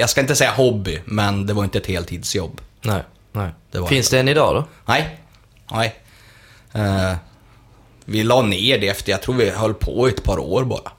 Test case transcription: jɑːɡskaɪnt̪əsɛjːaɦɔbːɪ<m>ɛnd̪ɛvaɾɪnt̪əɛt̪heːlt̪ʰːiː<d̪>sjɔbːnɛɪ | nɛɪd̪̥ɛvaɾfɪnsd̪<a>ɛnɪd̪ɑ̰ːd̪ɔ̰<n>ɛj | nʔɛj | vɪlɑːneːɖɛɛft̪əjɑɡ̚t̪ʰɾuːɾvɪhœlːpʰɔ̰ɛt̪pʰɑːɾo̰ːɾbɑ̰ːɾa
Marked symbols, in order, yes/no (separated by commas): yes, yes, no, yes